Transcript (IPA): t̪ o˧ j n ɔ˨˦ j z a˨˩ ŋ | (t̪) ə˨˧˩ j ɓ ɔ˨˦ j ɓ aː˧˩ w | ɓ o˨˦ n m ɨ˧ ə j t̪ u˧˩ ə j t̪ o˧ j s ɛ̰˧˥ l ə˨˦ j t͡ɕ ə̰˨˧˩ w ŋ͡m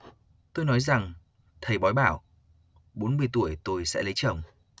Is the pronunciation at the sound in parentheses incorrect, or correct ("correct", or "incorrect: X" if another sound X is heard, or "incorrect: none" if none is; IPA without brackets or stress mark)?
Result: incorrect: t̪ʰ